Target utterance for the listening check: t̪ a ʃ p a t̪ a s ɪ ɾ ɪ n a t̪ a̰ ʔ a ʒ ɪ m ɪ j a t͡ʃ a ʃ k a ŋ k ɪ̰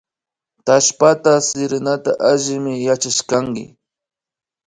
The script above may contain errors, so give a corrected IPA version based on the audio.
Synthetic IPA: t̪ a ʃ p a t̪ a s ɪ ɾ ɪ n a t̪ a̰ ʔ a ʒ ɪ m ɪ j a t͡ʃ a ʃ k a ŋ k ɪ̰